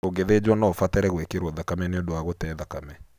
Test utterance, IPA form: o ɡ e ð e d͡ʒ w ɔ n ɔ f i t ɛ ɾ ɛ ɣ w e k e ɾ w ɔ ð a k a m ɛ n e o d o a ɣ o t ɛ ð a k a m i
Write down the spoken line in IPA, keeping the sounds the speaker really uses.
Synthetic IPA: o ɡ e ð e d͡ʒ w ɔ n ɔ f a t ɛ ɾ ɛ ɣ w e k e ɾ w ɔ ð a k a m ɛ n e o d o a ɣ o t ɛ ð a k a m ɛ